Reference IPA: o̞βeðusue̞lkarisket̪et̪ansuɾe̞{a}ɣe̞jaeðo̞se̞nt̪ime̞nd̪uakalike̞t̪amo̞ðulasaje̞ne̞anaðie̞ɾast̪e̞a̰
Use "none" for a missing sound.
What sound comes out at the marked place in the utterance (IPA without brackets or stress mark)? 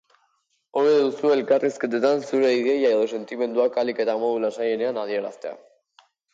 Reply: i